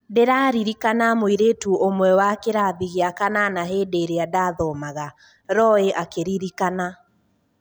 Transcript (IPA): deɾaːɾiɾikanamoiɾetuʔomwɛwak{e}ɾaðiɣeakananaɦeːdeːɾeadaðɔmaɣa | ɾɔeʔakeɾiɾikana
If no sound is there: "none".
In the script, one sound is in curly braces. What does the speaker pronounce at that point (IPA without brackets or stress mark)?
e